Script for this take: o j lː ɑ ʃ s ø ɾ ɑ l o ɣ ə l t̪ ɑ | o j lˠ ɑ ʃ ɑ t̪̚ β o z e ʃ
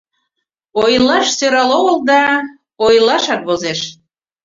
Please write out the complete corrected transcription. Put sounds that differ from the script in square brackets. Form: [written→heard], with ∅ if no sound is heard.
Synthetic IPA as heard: o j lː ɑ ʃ s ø ɾ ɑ l o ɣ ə l [t̪→d̪] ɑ | o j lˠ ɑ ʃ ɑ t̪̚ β o z e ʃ